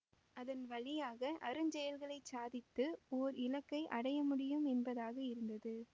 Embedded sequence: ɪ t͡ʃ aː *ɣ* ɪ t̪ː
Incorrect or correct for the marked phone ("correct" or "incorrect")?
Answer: incorrect